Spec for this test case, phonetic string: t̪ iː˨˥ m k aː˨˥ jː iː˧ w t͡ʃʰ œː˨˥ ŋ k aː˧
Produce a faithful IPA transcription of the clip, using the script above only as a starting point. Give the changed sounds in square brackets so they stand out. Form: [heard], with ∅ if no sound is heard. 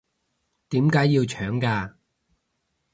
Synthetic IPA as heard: t̪ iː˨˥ m k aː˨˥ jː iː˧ w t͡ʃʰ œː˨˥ ŋ k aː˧